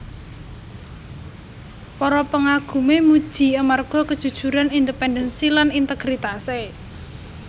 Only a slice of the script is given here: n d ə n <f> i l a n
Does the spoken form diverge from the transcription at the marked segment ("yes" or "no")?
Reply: yes